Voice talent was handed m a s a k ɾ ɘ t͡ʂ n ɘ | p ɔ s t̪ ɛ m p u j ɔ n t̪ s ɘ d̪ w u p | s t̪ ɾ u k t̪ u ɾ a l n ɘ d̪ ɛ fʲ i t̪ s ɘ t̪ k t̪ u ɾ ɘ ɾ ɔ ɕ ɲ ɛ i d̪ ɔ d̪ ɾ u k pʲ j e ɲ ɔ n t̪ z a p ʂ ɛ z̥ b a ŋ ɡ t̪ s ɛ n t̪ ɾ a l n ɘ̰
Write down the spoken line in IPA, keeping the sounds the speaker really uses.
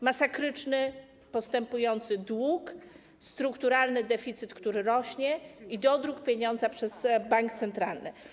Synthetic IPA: m a s a k ɾ ɘ t͡ʂ n ɘ | p ɔ s t̪ ɛ m p u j ɔ n t̪ s ɘ d̪ w u k | s t̪ ɾ u k t̪ u ɾ a l n ɘ d̪ ɛ fʲ i t̪ s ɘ t̪ k t̪ u ɾ ɘ ɾ ɔ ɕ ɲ ɛ i d̪ ɔ d̪ ɾ u k pʲ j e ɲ ɔ n d̪ z a p ʂ ɛ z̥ b a ŋ k t̪ s ɛ n t̪ ɾ a l n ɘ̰